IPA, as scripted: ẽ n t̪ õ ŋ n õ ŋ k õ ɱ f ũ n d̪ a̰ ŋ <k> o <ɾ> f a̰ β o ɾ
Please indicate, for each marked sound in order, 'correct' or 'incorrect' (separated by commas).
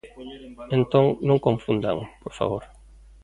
incorrect, correct